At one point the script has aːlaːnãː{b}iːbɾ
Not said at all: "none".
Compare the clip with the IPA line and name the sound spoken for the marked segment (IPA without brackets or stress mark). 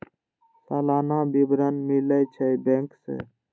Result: b